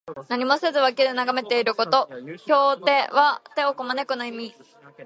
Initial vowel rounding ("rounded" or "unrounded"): unrounded